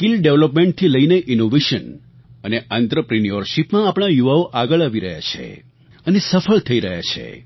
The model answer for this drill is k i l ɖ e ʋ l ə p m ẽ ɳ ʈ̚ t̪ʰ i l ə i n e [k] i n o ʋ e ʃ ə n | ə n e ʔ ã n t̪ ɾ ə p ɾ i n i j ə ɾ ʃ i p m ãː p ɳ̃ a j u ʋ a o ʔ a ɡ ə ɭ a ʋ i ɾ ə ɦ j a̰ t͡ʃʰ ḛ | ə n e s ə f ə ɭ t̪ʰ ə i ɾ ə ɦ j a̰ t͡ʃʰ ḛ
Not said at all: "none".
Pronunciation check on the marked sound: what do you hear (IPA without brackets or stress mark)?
ʔ